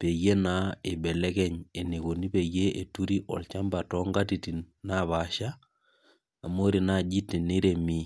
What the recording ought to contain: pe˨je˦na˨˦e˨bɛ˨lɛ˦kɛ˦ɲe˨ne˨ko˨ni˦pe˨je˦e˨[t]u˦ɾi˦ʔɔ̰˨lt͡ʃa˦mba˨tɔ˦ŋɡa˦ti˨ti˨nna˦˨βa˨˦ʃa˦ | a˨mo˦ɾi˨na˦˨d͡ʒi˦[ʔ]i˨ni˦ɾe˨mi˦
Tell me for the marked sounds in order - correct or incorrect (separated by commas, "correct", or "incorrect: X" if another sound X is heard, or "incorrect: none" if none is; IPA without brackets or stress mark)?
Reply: correct, incorrect: t